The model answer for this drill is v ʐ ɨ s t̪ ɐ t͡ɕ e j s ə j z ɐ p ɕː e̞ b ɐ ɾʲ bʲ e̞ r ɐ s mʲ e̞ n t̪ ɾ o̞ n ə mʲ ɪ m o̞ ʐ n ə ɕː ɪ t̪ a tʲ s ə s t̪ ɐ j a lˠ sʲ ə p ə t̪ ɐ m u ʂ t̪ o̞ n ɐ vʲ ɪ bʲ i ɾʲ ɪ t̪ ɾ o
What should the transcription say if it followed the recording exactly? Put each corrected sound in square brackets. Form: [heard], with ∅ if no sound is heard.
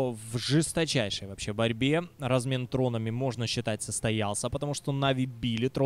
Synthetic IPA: v ʐ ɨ s t̪ ɐ t͡ɕ [æ] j [ʂ] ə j [v] ɐ p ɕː e̞ b ɐ ɾʲ bʲ e̞ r ɐ [z] mʲ e̞ n t̪ ɾ o̞ n ə mʲ ɪ m o̞ ʐ n ə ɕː ɪ t̪ a tʲ s ə s t̪ ɐ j a lˠ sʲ ə p ə t̪ ɐ m u ʂ t̪ o̞ n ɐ vʲ ɪ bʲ i [lʲ] ɪ t̪ ɾ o